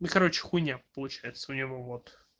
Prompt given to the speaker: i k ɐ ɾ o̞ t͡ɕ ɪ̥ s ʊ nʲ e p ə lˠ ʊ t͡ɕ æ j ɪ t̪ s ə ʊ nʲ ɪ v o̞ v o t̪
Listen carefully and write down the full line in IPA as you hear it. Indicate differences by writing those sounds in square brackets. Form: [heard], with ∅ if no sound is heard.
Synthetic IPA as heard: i k ɐ ɾ o̞ t͡ɕ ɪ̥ [x] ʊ nʲ [a] p ə lˠ ʊ t͡ɕ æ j ɪ t̪ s ə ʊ nʲ ɪ v o̞ v o t̪